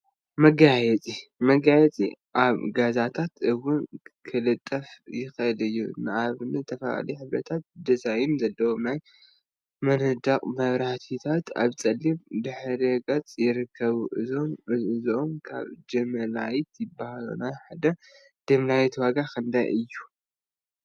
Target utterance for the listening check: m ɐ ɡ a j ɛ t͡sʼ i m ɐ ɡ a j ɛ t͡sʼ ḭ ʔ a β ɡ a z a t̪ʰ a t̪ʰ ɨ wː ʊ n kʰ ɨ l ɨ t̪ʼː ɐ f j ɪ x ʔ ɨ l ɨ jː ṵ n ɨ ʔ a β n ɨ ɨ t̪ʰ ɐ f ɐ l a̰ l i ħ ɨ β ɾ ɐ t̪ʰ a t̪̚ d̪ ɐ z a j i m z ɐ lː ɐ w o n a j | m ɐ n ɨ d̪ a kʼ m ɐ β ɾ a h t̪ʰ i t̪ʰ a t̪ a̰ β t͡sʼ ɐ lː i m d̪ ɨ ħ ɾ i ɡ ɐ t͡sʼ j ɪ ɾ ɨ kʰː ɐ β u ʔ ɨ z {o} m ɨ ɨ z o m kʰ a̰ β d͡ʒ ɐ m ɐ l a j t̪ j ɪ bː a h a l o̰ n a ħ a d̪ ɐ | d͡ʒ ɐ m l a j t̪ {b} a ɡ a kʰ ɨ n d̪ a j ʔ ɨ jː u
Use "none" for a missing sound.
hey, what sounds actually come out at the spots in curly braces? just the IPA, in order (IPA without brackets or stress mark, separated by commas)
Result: o, w